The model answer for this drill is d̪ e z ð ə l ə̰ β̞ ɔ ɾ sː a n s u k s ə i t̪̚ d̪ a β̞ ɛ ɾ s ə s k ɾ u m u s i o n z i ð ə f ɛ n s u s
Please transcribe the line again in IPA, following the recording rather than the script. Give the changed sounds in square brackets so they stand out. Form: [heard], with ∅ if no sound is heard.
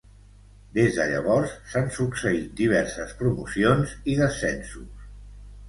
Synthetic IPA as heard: d̪ e z ð ə [ʎ] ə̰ β̞ ɔ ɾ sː a n s u k s ə i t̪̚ d̪ [i] β̞ ɛ ɾ s ə s [p] ɾ u m u s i o n z i ð ə [s] ɛ n s u s